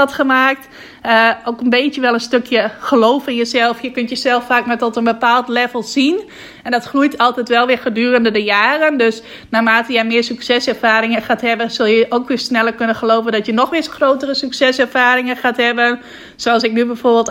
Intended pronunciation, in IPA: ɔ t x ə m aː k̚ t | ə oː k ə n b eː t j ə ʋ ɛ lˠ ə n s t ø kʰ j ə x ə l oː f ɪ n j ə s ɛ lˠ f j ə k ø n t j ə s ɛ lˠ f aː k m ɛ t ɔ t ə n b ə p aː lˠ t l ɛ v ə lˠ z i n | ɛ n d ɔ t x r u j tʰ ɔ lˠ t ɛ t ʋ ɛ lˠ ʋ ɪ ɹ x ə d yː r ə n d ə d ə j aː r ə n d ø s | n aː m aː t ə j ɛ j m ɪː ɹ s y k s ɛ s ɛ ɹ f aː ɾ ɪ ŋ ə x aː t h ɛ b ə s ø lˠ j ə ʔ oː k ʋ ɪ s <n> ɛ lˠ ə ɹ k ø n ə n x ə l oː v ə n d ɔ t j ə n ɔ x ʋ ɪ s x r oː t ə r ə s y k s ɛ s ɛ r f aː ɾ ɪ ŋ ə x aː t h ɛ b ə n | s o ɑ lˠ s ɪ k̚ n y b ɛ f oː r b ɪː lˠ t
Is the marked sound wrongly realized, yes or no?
no